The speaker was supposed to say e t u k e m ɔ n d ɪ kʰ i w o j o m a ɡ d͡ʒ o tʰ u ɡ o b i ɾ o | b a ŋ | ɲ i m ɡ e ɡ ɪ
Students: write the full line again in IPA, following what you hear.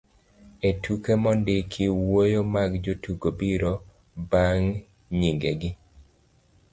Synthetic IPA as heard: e t u k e m ɔ n d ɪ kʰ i w o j o m a ɡ d͡ʒ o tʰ u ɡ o b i ɾ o | b a ŋ | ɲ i ŋ ɡ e ɡ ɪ